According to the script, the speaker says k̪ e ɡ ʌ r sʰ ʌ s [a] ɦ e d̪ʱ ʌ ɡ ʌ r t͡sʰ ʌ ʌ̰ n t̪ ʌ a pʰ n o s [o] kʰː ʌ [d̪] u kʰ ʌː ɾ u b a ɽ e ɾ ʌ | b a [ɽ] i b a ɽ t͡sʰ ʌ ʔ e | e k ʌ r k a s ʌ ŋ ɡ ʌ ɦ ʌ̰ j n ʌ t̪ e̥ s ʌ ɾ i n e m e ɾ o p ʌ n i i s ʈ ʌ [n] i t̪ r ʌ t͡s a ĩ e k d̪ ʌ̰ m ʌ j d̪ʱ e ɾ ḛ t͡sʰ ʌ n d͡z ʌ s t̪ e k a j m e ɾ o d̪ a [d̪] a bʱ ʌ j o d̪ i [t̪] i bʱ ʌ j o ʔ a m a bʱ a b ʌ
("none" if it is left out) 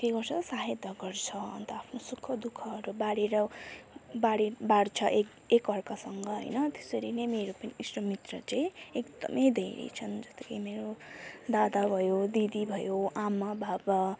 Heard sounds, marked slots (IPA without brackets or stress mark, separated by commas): a, u, d̪, ɽ, m, d̪, d̪